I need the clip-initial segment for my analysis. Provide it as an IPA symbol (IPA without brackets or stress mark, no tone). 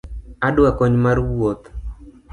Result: a